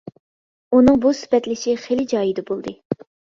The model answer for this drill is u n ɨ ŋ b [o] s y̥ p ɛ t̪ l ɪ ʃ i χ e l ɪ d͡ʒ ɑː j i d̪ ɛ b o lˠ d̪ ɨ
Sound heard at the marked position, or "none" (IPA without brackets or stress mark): u